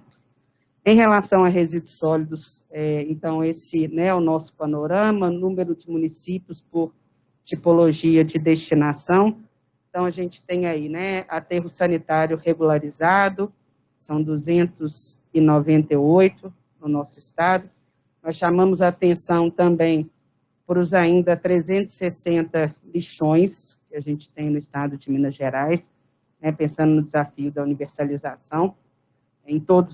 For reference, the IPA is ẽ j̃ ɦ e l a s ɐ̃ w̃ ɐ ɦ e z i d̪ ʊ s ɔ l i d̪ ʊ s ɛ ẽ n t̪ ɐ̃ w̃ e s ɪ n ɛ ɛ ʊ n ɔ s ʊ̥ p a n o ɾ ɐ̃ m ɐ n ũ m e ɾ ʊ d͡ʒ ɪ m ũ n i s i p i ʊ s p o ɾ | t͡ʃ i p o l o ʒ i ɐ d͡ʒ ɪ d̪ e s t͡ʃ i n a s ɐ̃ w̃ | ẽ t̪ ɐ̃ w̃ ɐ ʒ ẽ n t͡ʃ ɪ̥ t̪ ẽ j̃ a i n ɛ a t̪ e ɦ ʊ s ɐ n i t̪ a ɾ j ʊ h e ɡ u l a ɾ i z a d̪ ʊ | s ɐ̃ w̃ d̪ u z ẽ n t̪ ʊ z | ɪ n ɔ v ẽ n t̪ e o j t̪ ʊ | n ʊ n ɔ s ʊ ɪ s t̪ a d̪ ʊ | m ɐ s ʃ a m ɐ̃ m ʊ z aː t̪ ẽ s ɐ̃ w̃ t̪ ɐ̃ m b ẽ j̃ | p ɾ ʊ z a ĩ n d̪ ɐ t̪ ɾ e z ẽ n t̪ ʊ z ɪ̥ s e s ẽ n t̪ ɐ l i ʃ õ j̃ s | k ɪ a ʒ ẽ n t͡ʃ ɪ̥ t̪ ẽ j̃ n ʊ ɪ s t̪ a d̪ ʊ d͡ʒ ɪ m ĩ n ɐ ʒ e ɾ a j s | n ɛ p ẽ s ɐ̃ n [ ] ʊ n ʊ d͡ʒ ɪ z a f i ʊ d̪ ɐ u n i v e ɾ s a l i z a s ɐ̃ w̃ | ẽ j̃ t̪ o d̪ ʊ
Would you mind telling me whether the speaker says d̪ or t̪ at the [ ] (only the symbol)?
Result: d̪